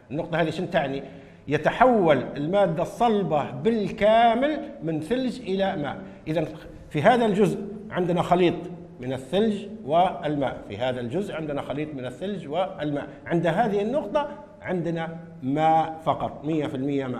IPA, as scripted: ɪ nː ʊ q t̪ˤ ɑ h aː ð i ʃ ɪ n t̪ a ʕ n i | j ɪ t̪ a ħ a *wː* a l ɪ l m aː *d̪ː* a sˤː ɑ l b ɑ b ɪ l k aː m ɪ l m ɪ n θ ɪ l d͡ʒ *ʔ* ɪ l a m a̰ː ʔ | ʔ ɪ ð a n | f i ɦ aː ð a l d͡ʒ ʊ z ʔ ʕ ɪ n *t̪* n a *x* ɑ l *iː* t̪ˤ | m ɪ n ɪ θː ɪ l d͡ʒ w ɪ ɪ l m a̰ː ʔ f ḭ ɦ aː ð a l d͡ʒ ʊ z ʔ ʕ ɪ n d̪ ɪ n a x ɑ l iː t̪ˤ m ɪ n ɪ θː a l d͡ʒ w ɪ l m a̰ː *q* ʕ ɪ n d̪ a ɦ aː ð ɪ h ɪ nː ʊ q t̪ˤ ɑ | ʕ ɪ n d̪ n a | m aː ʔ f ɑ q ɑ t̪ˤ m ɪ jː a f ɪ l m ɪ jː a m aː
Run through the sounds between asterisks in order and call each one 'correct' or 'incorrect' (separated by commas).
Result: correct, correct, correct, incorrect, correct, correct, incorrect